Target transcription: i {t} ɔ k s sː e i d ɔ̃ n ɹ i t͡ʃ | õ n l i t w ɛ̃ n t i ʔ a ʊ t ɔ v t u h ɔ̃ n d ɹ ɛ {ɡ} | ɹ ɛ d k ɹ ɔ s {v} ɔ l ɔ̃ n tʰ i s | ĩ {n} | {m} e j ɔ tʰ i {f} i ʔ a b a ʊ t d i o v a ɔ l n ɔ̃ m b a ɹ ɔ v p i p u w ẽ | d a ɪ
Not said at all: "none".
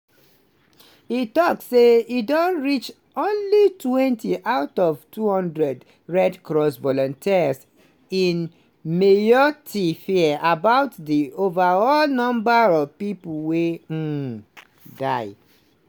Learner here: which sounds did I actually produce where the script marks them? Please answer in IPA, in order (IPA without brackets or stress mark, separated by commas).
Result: t, d, v, n, m, f